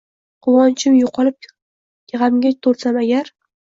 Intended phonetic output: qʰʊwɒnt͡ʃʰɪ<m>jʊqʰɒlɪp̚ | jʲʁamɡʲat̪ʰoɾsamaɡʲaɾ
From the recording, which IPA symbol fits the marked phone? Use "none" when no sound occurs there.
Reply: m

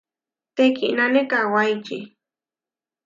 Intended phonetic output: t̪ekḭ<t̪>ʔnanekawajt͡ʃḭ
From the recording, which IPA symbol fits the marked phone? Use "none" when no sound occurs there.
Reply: none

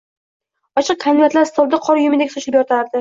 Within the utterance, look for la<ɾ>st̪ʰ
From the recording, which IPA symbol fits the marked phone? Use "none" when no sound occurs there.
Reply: ɾ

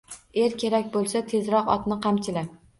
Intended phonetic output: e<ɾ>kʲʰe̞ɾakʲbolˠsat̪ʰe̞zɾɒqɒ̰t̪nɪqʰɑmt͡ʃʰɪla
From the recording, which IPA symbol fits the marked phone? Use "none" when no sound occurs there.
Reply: ɾ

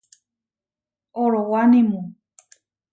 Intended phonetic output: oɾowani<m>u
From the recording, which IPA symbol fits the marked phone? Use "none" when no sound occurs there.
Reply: m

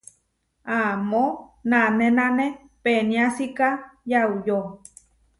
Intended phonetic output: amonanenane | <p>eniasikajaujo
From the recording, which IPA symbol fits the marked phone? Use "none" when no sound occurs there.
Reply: p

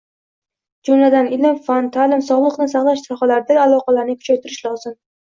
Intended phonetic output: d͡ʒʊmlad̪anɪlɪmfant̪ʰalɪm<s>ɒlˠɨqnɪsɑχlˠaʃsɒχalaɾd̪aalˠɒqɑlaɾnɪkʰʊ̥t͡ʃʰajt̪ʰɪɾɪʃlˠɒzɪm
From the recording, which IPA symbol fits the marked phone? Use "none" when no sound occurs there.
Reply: s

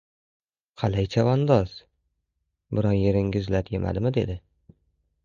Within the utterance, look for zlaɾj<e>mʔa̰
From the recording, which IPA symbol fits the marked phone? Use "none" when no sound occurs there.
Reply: e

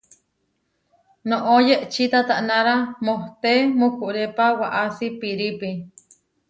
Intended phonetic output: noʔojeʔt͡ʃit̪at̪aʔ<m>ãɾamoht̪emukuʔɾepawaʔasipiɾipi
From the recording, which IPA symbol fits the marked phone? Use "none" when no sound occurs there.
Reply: n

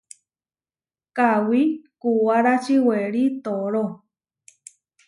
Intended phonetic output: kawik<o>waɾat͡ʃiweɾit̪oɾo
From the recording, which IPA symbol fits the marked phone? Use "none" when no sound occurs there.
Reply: u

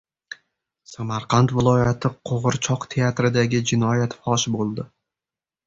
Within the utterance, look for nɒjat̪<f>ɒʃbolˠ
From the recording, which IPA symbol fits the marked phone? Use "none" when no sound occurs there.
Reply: f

